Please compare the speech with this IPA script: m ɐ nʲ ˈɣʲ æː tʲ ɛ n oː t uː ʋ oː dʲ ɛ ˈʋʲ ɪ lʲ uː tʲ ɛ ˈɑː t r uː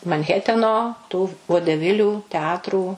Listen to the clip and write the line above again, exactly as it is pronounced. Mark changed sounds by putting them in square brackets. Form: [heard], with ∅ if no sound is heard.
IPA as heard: m ɐ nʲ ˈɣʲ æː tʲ ɛ n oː t uː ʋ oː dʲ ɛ ˈʋʲ ɪ lʲ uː tʲ ɛ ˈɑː t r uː